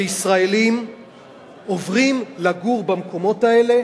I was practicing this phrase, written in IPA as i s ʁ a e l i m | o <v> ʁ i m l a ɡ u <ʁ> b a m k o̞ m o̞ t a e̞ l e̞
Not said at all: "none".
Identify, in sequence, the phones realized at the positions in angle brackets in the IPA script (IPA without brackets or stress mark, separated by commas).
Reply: v, ʁ